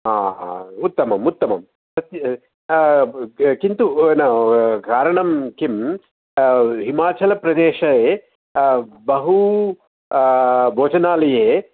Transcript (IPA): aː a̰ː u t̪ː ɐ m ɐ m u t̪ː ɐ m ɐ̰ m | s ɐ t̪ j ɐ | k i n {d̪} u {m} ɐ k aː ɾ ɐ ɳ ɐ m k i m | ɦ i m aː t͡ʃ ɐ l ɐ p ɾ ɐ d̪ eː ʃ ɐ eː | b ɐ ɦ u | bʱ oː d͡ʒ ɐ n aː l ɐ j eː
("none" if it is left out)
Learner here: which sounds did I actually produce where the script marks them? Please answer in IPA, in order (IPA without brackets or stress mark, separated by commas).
t̪, n